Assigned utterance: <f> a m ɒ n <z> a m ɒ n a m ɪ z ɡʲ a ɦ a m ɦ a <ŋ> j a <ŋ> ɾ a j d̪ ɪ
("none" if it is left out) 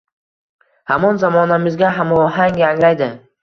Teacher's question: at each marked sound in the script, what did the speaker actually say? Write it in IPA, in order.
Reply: h, z, ŋ, ŋ

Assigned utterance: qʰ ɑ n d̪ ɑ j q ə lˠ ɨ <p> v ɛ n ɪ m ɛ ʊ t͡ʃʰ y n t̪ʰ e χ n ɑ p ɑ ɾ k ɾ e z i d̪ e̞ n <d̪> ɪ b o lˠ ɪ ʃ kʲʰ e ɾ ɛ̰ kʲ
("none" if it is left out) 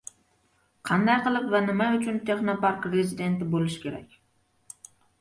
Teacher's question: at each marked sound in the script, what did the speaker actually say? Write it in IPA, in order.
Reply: p, t̪

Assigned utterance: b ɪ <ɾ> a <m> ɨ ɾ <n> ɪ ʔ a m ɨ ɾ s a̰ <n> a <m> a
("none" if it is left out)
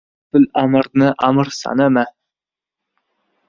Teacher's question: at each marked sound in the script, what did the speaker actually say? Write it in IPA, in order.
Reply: l, m, n, n, m

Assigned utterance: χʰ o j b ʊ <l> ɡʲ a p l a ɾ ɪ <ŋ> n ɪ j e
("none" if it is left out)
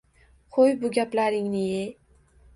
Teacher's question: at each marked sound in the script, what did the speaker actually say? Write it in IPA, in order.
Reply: none, ŋ

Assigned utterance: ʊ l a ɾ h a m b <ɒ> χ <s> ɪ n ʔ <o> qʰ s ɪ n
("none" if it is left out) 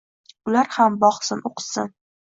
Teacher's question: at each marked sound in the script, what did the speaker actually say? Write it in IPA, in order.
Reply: ɒ, s, o

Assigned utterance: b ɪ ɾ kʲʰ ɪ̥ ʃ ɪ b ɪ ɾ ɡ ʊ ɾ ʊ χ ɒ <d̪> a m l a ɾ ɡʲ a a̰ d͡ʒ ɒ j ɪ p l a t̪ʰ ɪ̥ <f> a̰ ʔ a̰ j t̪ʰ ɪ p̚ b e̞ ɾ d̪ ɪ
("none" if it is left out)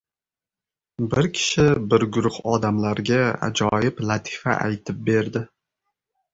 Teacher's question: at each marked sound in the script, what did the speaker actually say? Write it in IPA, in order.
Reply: d̪, f

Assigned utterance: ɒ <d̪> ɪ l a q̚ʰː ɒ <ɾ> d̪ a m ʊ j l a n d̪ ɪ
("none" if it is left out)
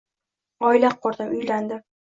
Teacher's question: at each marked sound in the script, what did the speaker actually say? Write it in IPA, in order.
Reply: none, ɾ

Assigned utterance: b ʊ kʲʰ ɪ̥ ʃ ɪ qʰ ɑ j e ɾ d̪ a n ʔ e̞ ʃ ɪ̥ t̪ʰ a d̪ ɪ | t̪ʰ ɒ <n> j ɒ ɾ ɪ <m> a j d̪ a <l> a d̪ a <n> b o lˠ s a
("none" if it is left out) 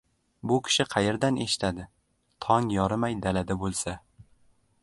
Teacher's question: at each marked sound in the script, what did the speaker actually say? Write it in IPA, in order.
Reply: ŋ, m, l, none

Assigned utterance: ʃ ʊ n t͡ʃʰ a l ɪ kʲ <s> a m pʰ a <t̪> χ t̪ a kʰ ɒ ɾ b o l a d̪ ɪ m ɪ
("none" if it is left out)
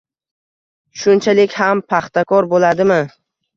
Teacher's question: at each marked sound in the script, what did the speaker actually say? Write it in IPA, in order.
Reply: h, none

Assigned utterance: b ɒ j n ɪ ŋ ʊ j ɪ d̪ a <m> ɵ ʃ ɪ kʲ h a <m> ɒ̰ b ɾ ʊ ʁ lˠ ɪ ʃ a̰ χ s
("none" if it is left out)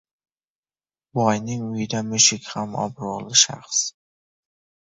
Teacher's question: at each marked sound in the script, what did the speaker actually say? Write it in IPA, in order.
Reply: m, m

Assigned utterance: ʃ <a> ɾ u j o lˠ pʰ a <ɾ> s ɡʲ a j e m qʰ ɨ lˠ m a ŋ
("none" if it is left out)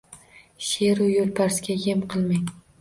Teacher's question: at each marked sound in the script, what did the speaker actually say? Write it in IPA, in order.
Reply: e, ɾ

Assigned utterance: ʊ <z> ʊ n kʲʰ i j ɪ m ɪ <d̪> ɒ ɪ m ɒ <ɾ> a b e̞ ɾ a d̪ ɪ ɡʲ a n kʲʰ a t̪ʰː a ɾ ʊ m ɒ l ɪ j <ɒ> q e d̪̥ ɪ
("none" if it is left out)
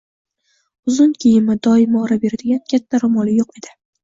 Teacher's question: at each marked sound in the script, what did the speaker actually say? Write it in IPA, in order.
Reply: z, d̪, ɾ, o

